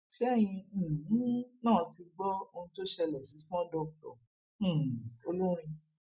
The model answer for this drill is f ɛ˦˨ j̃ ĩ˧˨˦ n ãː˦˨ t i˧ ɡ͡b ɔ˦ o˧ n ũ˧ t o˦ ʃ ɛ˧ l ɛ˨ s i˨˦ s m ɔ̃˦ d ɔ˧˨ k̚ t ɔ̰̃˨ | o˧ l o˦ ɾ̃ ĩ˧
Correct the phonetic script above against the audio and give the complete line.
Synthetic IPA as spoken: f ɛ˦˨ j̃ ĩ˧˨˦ n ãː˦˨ t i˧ ɡ͡b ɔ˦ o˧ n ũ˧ t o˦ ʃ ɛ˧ l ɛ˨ s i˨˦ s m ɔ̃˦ d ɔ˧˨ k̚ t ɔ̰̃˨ | o˧ l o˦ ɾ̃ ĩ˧